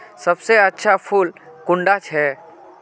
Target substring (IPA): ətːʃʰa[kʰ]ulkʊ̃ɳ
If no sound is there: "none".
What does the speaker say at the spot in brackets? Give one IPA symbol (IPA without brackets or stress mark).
pʰ